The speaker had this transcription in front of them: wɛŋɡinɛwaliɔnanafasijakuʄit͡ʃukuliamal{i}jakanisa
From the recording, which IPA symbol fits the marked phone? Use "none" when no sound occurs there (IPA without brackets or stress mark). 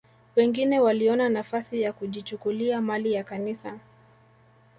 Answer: i